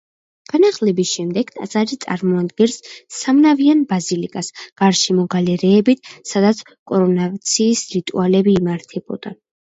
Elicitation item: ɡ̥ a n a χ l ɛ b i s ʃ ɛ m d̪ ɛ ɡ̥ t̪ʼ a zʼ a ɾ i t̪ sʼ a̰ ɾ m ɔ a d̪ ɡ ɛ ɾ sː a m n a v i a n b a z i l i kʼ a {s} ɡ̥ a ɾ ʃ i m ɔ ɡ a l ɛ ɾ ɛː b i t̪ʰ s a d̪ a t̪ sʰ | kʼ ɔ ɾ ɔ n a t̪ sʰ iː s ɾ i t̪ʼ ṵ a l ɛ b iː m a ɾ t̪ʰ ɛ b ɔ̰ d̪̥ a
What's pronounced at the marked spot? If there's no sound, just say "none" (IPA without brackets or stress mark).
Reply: s